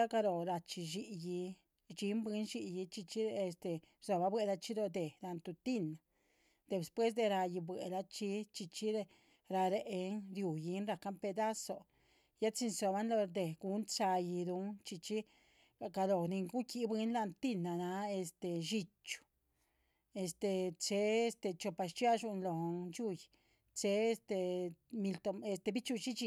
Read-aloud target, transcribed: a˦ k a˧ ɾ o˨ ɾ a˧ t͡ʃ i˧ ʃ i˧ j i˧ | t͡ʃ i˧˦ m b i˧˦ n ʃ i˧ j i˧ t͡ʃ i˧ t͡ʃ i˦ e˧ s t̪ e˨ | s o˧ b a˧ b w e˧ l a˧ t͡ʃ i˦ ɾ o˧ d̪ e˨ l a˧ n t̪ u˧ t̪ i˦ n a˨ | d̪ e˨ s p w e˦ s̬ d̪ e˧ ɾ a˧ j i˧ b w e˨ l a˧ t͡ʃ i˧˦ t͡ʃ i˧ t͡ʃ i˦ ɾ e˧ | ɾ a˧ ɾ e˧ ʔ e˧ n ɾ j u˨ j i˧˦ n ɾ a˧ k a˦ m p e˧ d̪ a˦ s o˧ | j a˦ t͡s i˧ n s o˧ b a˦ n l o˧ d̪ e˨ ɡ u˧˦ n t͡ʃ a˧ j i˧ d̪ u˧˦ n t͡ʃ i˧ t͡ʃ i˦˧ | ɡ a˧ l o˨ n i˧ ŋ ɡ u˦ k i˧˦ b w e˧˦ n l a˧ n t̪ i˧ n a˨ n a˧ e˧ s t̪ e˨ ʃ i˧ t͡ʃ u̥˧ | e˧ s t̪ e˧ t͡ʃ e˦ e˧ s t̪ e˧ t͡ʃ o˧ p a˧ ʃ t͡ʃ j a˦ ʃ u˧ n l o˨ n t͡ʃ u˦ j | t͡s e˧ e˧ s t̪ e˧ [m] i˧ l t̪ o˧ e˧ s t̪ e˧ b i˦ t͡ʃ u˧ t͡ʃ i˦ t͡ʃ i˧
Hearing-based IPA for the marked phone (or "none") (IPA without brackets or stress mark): m